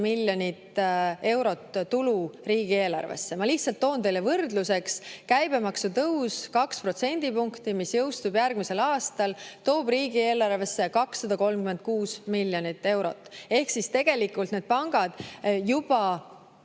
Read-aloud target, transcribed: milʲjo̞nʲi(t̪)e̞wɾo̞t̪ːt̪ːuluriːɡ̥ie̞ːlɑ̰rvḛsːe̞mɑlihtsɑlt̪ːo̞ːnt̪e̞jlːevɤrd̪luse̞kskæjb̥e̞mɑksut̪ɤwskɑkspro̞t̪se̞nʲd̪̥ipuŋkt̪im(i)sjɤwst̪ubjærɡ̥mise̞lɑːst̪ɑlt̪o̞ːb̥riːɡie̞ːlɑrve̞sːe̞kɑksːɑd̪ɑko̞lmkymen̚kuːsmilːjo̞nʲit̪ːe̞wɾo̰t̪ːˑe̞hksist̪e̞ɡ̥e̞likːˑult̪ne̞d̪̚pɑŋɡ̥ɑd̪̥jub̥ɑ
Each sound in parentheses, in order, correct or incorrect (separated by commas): correct, correct